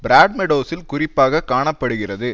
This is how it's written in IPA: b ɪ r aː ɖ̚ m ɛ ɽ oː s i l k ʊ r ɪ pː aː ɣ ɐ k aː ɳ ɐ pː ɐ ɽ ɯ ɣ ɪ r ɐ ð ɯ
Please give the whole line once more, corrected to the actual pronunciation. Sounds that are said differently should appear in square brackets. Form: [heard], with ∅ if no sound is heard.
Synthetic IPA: b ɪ [ɾ] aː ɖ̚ m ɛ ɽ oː s [ɪ] l k ʊ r ɪ pː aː ɣ ɐ k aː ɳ ɐ pː ɐ ɽ ɯ ɣ ɪ r ɐ ð ɯ